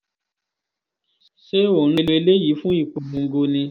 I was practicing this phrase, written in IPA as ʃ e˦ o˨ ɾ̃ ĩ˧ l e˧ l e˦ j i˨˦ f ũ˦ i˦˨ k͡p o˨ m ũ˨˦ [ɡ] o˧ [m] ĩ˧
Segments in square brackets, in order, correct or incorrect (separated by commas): correct, incorrect